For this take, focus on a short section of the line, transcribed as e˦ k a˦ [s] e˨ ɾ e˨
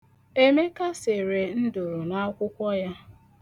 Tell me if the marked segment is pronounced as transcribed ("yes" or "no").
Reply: yes